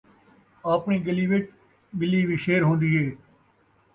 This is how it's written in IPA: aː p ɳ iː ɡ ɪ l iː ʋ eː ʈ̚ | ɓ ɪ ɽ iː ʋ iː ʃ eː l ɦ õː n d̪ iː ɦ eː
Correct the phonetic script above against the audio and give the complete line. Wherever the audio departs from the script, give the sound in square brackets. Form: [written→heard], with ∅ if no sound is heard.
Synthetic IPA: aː p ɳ iː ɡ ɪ l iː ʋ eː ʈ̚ | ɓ ɪ [ɽ→l] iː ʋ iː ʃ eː [l→ɾ] ɦ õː n d̪ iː ɦ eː